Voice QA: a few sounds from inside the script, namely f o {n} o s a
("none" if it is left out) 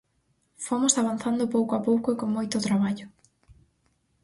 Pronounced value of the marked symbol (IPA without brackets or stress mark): m